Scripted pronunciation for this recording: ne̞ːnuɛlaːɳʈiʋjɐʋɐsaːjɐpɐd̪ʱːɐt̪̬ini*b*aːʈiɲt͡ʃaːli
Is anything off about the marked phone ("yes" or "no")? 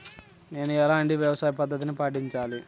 yes